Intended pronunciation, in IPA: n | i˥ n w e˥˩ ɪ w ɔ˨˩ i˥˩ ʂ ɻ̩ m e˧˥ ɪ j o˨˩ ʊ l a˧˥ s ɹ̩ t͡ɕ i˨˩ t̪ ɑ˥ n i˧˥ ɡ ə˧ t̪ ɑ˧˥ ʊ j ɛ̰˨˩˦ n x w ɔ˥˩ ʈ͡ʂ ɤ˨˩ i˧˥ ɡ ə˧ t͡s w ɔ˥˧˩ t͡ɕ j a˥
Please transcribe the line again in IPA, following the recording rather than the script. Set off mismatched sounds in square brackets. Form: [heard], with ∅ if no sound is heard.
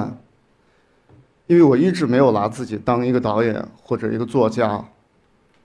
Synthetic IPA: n | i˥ n w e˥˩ ɪ w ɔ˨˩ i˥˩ [ʈ͡ʂ] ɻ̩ m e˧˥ ɪ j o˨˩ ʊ l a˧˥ [t͡s] ɹ̩ t͡ɕ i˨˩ t̪ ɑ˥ [ŋ] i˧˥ ɡ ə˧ t̪ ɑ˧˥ ʊ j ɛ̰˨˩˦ n x w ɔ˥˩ ʈ͡ʂ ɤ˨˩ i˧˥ ɡ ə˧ t͡s w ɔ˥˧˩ t͡ɕ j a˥